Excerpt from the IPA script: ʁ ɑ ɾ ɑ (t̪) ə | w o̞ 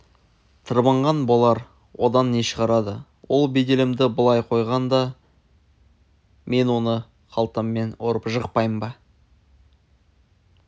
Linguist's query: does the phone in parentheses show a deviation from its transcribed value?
yes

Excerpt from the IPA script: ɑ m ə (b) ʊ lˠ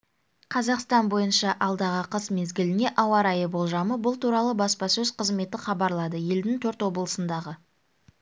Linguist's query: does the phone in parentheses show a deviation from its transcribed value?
no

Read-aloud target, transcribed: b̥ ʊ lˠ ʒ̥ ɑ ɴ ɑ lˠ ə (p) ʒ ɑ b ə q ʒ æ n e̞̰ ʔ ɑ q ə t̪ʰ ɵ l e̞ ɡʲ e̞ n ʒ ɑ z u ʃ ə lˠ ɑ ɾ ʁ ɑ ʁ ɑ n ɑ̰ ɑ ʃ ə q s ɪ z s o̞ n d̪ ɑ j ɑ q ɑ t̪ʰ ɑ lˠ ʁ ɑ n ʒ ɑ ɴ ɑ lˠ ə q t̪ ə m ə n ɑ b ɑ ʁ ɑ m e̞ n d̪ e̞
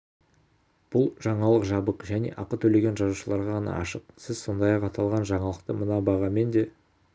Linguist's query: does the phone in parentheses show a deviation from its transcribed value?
yes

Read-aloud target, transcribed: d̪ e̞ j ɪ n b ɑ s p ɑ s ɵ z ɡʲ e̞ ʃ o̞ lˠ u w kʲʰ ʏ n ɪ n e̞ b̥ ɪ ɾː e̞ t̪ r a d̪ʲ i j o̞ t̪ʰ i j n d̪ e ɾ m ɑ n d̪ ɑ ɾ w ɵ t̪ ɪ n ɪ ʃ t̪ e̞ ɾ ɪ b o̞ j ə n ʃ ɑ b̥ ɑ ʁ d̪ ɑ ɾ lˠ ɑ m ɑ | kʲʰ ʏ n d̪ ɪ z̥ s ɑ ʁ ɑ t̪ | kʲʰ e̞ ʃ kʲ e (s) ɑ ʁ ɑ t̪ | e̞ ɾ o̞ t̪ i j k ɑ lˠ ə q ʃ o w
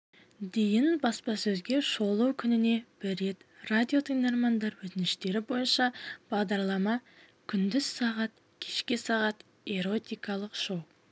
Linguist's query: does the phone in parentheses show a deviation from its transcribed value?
no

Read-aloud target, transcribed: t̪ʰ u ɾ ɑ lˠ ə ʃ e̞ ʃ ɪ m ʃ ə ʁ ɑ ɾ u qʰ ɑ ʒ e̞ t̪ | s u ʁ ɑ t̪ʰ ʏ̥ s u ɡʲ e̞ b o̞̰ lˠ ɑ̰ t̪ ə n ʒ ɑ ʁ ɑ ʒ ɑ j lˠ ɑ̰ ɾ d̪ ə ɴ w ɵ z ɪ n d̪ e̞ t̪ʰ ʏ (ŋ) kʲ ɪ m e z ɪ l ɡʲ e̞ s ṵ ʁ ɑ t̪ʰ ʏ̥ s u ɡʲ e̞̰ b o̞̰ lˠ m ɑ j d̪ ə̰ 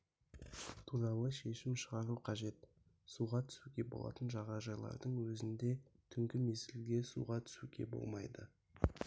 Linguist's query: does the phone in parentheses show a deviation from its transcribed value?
no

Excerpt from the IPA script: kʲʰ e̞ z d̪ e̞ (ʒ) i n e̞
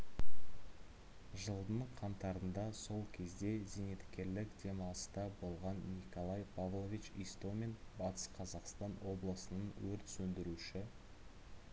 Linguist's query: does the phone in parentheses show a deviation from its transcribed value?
yes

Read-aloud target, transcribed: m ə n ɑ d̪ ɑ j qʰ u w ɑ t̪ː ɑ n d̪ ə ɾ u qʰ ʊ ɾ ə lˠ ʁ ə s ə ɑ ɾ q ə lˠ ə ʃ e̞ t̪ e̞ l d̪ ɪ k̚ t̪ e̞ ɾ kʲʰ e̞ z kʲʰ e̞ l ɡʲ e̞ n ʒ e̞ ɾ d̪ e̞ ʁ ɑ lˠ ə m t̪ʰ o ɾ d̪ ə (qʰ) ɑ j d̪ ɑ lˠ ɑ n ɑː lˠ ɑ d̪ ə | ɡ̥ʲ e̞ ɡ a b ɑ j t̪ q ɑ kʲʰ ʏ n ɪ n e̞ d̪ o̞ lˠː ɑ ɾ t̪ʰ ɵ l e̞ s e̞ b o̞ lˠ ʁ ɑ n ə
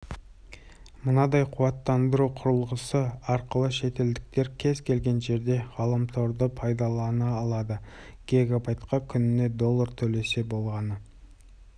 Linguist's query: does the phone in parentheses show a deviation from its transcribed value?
yes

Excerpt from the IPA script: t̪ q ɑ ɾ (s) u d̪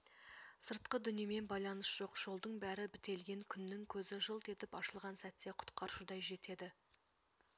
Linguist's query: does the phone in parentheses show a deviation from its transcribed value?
yes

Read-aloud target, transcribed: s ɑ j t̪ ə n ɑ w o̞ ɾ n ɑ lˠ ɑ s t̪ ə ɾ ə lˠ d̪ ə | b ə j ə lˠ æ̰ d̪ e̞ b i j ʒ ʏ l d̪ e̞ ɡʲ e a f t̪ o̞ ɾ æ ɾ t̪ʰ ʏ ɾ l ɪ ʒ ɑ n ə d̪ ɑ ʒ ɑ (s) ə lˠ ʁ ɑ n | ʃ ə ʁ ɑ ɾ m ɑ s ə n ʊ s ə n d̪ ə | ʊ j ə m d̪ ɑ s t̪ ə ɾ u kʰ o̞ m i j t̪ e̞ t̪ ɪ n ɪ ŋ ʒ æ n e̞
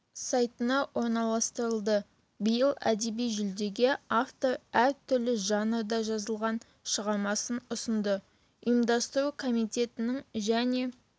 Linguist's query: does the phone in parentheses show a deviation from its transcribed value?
yes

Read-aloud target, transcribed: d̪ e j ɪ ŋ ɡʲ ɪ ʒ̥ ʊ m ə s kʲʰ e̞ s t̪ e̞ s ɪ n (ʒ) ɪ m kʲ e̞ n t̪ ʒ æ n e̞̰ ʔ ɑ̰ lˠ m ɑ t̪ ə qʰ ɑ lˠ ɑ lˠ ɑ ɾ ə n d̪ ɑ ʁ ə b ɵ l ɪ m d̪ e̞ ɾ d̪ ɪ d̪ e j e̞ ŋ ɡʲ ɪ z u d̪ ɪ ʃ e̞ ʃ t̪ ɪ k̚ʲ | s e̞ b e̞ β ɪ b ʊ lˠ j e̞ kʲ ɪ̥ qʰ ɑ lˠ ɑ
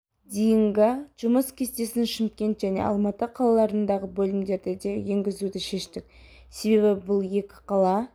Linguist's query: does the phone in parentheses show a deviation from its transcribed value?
yes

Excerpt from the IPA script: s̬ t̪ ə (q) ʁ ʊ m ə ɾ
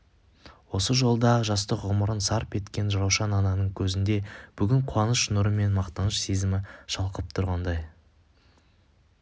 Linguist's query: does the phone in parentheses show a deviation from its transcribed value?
no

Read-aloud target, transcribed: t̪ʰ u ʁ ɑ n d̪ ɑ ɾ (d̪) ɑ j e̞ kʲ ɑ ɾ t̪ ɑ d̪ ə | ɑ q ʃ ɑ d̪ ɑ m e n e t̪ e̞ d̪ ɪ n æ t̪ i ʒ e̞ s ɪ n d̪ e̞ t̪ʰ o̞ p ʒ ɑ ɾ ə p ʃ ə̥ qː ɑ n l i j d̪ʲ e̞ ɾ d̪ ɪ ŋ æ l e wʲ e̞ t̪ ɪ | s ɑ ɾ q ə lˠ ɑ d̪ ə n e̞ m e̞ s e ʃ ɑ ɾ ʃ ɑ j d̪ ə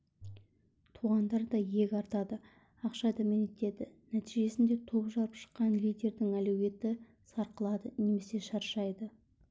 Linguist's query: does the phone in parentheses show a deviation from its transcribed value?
no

